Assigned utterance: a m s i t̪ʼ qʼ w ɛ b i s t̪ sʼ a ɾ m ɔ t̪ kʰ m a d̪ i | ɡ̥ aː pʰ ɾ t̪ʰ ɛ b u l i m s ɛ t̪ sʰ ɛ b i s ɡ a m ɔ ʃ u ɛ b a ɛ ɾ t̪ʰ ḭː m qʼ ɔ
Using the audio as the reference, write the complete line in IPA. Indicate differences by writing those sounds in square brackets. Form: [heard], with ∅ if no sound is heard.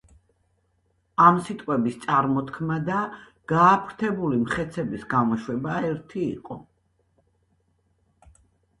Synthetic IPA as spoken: a m s i t̪ʼ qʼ w ɛ b i s t̪ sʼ a ɾ m ɔ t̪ kʰ m a d̪ [a] | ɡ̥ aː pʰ ɾ t̪ʰ ɛ b u l i m [χ] ɛ t̪ sʰ ɛ b i s ɡ a m ɔ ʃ [w] ɛ b a ɛ ɾ t̪ʰ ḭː [∅] qʼ ɔ